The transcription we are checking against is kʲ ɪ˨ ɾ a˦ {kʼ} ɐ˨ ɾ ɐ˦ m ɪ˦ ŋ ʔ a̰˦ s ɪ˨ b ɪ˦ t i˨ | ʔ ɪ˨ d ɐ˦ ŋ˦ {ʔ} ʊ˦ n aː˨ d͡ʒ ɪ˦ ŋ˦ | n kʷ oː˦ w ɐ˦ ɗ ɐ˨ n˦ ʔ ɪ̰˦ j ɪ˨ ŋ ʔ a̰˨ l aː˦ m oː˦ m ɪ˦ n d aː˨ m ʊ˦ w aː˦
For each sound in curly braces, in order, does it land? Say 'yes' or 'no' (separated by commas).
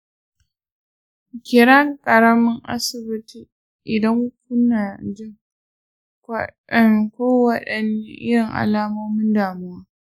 yes, no